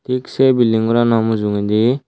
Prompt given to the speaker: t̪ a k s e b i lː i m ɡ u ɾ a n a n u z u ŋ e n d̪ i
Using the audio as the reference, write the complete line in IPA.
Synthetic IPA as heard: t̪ i k s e b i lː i ŋ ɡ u ɾ a n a m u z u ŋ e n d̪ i